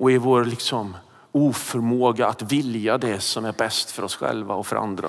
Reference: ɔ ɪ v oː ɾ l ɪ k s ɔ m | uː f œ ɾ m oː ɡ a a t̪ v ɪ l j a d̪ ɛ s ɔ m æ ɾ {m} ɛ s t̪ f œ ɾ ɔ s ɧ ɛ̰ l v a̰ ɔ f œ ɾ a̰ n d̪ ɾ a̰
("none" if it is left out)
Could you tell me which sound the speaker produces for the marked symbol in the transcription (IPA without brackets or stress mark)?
b